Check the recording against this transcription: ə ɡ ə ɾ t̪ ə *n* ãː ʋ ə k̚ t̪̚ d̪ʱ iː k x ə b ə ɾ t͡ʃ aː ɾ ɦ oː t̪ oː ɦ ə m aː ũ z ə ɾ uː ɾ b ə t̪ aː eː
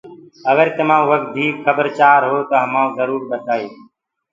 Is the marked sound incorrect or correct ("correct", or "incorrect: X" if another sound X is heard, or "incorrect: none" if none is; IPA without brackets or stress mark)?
incorrect: m